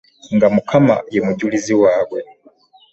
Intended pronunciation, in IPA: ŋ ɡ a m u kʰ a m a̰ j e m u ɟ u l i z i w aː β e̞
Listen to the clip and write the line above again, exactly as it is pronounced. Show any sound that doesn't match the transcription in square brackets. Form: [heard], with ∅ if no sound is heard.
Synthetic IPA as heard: ŋ ɡ a m u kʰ a m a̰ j e m u ɟ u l i z i w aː [w] e̞